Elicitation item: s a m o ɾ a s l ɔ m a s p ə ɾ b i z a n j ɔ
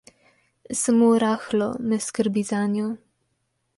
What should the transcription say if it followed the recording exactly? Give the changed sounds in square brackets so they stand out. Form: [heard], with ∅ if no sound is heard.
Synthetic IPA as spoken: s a m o ɾ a [x] l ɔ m [ɛ] s [k] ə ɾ b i z a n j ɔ